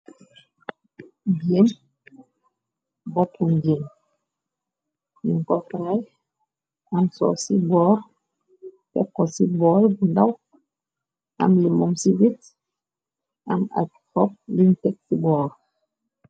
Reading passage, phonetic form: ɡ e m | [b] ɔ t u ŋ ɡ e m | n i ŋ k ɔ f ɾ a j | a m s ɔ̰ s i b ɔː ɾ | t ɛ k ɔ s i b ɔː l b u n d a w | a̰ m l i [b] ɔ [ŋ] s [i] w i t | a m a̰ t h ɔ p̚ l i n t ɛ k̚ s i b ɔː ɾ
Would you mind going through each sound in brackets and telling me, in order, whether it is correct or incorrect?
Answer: correct, incorrect: m, incorrect: m, correct

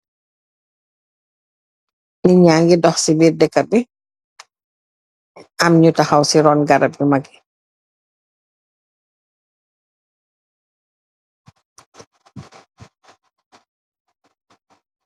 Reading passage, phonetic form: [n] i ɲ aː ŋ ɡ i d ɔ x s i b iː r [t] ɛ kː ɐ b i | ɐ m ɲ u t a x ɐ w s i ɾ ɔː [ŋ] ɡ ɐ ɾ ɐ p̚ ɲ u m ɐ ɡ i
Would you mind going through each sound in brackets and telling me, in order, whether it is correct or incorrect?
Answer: correct, incorrect: d, incorrect: n

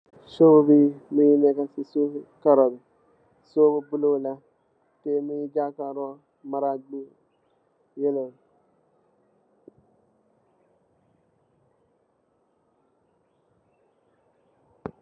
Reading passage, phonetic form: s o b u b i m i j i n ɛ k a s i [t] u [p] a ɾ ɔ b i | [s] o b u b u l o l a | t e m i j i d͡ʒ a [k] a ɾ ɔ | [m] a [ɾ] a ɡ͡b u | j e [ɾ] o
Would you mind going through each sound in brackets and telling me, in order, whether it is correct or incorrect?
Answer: incorrect: s, incorrect: k, correct, correct, correct, correct, incorrect: l

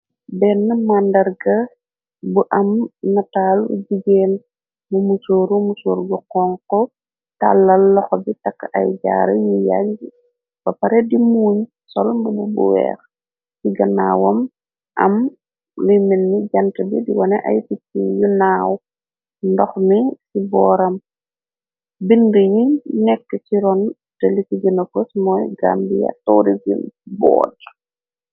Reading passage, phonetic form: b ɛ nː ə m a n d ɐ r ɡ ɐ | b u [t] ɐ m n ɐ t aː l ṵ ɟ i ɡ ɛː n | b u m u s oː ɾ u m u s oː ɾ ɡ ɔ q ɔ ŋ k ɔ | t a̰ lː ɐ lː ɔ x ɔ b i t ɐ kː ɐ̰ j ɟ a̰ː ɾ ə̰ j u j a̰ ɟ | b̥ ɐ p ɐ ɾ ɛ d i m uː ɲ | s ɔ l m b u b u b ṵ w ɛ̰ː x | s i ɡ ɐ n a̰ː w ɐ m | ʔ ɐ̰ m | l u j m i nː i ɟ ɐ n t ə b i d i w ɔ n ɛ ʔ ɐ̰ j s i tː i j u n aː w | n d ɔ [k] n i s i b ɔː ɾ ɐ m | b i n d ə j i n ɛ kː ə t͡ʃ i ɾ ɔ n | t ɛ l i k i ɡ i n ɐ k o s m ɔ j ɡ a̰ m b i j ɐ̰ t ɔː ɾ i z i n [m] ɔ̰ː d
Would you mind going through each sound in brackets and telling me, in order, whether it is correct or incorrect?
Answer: incorrect: ʔ, incorrect: x, incorrect: b

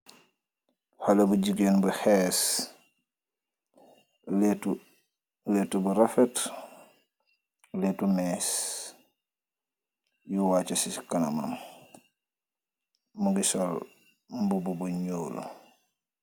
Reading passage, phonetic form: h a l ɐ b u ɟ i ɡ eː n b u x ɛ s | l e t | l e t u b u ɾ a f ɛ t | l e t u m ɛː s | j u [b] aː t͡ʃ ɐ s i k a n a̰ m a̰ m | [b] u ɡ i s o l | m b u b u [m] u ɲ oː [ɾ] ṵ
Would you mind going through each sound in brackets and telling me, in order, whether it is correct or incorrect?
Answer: incorrect: w, incorrect: m, incorrect: b, incorrect: l

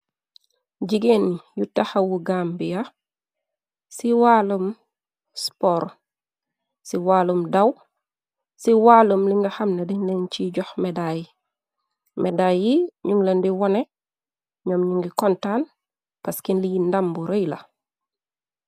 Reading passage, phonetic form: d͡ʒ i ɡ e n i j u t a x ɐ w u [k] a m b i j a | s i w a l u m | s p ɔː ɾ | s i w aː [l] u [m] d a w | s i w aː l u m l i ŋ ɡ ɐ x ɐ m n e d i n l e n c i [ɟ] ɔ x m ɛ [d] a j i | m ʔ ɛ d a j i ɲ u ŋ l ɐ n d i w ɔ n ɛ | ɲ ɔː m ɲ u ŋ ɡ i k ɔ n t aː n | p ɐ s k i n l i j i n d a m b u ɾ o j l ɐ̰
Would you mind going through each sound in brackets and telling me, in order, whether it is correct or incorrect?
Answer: incorrect: ɡ, correct, correct, correct, correct

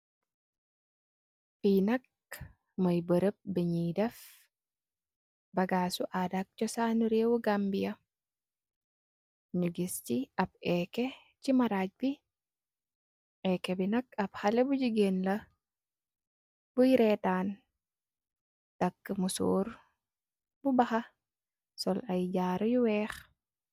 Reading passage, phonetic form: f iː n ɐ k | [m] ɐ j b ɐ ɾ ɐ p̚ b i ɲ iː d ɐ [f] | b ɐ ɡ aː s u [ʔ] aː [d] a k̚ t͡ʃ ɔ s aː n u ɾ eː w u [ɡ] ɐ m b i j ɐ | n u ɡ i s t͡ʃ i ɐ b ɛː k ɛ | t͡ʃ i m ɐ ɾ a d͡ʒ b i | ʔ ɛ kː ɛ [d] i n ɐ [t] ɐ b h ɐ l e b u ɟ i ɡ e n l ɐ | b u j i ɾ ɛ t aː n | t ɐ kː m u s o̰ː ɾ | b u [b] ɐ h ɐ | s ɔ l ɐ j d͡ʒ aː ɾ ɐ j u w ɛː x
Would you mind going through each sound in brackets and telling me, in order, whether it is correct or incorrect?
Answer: correct, correct, correct, correct, correct, incorrect: b, incorrect: k, correct

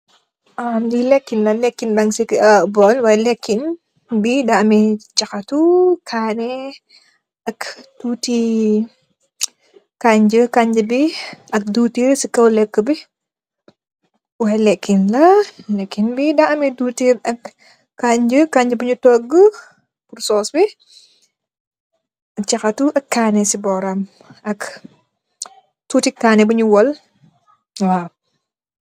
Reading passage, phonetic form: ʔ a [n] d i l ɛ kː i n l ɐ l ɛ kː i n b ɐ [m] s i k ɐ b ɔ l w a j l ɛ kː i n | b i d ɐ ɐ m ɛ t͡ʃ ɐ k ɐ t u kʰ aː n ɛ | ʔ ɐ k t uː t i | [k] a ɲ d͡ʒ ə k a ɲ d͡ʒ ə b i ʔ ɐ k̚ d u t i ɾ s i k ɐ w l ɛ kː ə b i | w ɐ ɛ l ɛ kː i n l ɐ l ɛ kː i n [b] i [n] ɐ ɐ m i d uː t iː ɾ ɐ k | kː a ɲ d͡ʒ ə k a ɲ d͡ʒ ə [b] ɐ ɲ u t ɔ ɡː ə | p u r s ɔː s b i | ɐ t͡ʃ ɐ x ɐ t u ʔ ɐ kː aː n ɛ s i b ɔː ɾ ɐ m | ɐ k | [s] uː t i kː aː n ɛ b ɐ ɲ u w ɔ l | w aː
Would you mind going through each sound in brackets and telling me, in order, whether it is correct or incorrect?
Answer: incorrect: m, incorrect: ŋ, correct, correct, incorrect: d, correct, incorrect: t

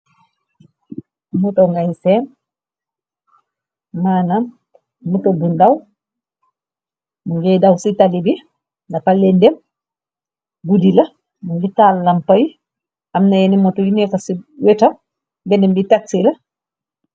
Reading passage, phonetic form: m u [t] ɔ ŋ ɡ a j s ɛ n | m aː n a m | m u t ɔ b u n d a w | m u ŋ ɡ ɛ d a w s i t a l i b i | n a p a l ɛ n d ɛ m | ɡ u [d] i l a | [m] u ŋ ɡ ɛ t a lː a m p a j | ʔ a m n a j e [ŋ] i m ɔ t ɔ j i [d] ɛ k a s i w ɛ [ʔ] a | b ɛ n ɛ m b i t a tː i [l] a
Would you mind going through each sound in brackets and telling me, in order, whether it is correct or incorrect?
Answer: correct, correct, correct, incorrect: n, incorrect: n, incorrect: t, correct

